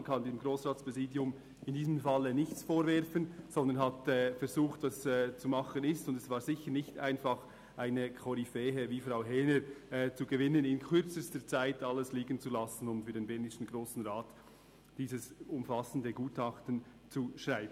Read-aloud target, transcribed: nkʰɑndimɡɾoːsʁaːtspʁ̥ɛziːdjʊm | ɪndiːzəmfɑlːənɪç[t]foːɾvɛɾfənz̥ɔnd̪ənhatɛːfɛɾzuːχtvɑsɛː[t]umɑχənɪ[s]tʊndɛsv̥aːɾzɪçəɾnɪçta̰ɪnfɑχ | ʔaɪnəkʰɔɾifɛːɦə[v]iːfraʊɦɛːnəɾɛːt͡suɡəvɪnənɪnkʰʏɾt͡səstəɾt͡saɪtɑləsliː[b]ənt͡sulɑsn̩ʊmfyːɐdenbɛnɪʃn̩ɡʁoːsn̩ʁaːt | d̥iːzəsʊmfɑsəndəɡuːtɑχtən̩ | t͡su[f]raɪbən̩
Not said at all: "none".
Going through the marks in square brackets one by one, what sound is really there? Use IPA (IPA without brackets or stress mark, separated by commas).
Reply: t͡s, t͡s, s, v, ɡ, ʃ